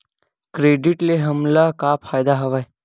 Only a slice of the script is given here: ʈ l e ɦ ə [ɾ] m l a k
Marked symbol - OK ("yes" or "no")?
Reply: no